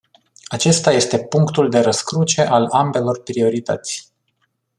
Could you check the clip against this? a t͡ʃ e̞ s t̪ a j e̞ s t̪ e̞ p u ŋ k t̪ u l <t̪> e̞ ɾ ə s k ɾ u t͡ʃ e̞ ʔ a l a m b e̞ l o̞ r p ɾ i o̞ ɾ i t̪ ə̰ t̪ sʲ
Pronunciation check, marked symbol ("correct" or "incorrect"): incorrect